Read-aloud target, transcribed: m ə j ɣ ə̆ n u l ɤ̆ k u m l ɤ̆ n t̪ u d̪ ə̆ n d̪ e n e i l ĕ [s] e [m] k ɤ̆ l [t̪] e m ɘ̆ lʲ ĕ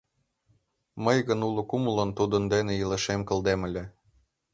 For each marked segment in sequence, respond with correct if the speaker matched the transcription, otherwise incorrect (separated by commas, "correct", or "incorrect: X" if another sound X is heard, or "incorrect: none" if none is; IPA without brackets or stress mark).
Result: incorrect: ʃ, correct, incorrect: d̪